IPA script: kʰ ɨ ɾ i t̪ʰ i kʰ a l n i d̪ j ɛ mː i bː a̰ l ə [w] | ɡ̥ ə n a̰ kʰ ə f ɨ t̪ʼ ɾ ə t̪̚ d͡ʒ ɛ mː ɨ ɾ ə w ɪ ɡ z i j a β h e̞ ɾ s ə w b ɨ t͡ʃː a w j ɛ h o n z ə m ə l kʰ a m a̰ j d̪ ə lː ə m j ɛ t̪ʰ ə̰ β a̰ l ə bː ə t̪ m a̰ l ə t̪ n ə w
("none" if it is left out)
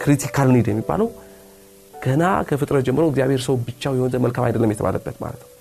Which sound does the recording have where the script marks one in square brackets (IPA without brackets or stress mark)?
w